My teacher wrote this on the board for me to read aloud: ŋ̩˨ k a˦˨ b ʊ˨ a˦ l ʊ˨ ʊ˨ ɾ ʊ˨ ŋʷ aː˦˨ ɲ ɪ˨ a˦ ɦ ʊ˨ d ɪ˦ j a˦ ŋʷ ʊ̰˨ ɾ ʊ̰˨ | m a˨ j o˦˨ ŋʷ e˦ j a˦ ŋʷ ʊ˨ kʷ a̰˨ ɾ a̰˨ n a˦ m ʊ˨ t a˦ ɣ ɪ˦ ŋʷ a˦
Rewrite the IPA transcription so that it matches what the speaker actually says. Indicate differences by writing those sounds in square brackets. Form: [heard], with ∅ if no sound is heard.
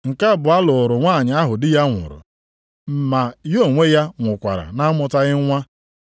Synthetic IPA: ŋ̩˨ k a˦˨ b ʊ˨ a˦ l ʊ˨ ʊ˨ ɾ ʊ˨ ŋʷ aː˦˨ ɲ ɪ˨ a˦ ɦ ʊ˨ d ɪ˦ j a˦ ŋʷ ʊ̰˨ ɾ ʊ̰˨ | m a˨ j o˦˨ ŋʷ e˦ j a˦ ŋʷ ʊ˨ kʷ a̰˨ ɾ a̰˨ n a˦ m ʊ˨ t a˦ ɣ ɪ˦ ŋʷ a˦